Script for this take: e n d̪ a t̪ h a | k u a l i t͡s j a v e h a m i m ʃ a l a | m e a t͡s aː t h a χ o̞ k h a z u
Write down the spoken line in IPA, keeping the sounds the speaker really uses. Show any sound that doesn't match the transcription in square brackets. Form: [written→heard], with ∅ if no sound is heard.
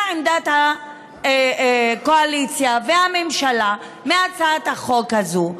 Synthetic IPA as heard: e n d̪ a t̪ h a | k [u→o] a l i t͡s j a v e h a m [i→e] m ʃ a l a | m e a t͡s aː t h a χ o̞ k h a z u